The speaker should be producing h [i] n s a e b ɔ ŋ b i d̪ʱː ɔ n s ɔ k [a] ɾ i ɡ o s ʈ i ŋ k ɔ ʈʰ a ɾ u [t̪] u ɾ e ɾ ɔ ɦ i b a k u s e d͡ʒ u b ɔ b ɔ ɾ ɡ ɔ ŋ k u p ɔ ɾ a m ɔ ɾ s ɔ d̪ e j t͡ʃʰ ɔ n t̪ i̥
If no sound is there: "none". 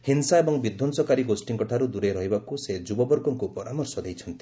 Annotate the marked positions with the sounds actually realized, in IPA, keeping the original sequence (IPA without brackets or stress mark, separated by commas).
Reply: i, a, d̪